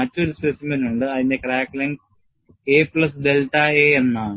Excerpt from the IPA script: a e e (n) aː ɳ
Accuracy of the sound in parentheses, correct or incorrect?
incorrect